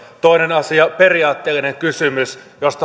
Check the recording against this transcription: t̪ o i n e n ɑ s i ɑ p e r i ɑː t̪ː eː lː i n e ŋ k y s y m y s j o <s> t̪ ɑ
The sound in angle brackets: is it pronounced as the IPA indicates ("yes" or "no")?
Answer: yes